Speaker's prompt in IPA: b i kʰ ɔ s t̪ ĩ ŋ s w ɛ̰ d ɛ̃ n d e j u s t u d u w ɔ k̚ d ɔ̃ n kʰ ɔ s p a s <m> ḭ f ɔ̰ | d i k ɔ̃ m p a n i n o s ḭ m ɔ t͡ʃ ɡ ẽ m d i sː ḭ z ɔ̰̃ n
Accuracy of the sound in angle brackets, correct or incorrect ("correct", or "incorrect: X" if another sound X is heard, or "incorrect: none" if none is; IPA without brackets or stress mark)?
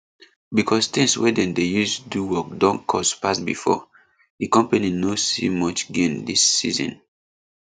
incorrect: b